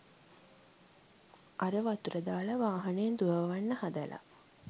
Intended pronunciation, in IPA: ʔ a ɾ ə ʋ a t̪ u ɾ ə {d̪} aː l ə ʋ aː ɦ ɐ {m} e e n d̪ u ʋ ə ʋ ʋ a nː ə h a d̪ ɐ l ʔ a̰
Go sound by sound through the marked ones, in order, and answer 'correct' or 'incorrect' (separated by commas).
correct, incorrect